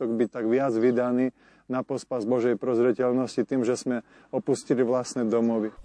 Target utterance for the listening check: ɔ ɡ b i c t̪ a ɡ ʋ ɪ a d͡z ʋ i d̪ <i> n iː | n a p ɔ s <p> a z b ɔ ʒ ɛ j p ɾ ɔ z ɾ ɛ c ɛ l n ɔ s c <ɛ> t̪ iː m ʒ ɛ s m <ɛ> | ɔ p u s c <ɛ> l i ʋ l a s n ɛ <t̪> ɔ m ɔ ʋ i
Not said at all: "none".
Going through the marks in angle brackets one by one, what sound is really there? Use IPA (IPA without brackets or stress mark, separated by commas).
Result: a, p, i, ɛ, i, d̪